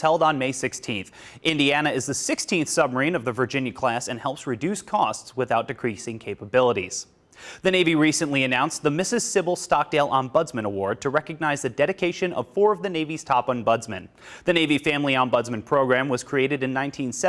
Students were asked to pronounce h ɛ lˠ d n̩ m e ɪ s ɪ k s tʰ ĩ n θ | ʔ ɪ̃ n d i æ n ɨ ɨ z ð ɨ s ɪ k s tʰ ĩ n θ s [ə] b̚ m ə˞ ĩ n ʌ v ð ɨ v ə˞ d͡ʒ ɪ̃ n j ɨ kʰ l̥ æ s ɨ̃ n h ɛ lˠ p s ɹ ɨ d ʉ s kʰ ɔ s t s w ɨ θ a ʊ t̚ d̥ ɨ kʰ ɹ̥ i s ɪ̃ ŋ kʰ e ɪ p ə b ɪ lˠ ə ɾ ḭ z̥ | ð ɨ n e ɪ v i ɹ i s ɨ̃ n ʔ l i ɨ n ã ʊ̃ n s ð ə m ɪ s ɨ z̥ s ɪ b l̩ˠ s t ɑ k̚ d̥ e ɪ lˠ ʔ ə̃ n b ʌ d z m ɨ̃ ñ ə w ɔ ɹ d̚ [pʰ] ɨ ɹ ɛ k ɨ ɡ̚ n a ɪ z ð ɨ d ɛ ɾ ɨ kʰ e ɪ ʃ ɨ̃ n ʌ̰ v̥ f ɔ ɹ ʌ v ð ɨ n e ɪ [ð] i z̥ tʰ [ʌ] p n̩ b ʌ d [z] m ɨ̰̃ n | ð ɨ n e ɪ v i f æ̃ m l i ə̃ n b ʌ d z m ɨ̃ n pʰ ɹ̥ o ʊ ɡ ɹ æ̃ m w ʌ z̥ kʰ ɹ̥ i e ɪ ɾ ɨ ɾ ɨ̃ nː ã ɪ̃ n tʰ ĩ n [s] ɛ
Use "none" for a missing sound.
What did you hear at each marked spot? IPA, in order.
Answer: ʌ, tʰ, v, ɑ, z, s

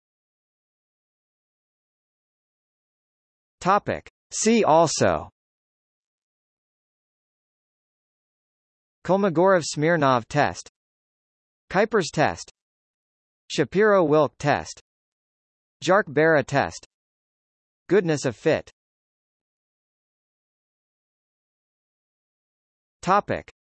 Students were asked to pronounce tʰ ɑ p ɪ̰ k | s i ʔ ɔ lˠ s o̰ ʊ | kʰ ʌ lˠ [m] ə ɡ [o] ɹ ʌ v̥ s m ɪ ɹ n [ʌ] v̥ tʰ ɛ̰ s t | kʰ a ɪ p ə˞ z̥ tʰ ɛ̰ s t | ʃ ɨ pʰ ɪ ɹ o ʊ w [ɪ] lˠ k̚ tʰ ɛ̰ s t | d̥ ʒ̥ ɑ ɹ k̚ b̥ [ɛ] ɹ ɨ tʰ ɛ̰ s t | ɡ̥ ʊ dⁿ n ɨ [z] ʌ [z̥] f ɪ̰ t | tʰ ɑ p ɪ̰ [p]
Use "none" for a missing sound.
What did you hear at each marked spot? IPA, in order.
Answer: m, ɔ, ɑ, ɪ, ɛ, s, v̥, k

